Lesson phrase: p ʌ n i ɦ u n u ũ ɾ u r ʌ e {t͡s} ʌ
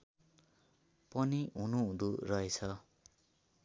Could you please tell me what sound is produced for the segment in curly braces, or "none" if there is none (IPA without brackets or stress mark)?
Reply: t͡sʰ